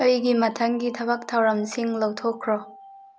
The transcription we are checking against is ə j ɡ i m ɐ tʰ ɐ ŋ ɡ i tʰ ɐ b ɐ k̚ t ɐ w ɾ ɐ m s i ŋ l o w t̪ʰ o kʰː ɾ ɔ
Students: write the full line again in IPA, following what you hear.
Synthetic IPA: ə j ɡ i m ɐ tʰ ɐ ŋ ɡ i tʰ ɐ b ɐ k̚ tʰ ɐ w ɾ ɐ m s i ŋ l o w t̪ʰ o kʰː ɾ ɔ